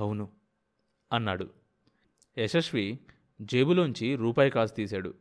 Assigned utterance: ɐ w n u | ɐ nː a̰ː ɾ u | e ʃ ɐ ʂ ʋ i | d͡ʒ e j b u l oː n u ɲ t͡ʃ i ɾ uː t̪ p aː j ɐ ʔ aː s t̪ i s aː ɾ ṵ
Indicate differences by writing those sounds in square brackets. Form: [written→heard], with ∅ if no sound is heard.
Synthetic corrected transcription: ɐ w n u | ɐ nː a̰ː [ɾ→ɽ] u | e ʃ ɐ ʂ ʋ i | d͡ʒ e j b u l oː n u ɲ t͡ʃ i ɾ uː [t̪→∅] p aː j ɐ [ʔ→k] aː s t̪ [i→iː] s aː [ɾ→ɽ] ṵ